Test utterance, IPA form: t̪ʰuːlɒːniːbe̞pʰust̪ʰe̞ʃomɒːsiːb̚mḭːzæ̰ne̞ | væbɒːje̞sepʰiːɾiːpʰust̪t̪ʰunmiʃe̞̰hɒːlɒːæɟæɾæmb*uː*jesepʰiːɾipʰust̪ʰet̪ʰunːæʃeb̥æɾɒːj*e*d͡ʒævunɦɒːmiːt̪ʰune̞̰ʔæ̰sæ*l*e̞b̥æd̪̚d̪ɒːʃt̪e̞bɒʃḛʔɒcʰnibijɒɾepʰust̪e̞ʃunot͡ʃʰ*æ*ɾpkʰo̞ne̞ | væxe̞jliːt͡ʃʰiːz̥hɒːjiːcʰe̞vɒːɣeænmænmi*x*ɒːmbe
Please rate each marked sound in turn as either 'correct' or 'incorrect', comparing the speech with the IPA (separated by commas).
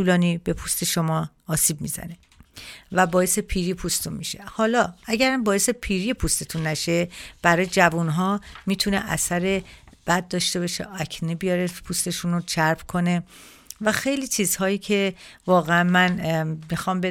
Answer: incorrect, correct, incorrect, correct, correct